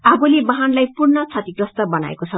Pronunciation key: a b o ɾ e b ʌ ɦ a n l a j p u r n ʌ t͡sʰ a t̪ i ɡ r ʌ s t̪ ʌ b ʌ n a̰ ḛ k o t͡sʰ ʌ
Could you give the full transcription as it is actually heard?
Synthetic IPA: a b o l e b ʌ ɦ a n l a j p u r n ʌ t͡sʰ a t̪ i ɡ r ʌ s t̪ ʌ b ʌ n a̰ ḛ k o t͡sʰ ʌ